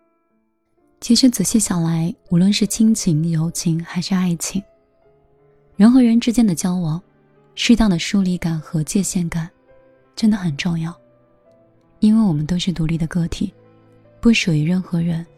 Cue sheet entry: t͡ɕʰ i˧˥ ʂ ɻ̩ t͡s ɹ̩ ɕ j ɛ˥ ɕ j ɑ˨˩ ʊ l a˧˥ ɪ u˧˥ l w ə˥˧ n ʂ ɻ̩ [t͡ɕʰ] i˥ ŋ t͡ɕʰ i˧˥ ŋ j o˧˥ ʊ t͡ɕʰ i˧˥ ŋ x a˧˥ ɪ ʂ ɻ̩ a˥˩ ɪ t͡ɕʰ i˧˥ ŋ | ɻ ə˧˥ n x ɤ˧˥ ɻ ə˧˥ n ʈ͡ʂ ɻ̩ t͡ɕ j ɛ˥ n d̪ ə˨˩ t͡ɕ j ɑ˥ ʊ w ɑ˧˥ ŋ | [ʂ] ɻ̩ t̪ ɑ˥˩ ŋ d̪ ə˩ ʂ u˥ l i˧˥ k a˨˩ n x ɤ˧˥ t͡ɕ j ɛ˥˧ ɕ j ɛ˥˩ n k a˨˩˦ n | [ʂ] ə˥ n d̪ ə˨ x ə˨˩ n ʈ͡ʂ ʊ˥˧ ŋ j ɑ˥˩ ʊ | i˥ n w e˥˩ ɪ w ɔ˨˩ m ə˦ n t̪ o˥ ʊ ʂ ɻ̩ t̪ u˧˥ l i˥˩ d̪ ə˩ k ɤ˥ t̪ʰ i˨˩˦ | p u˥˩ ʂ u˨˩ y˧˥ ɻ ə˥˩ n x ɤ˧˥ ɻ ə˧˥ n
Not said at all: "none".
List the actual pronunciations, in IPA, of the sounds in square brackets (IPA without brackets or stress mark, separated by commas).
t͡ɕʰ, ʂ, ʈ͡ʂ